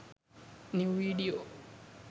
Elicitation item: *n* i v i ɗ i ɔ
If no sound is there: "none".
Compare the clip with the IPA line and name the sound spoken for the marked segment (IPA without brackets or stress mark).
n